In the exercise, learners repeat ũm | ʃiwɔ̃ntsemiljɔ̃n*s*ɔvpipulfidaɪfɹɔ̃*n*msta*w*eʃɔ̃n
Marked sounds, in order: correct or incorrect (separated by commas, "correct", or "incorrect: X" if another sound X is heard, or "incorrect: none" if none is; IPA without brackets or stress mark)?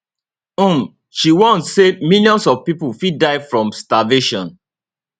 correct, incorrect: none, incorrect: v